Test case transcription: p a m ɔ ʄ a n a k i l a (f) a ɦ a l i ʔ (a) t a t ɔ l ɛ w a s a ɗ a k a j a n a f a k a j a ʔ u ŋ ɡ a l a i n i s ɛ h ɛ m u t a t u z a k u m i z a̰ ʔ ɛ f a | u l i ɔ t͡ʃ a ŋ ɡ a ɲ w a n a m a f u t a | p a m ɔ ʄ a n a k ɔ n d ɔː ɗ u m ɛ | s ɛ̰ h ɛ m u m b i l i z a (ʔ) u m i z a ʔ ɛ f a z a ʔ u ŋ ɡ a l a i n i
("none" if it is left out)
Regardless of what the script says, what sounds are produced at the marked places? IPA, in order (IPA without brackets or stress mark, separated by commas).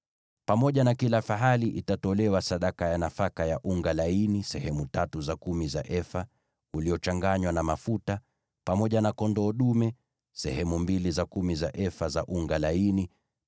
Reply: f, i, k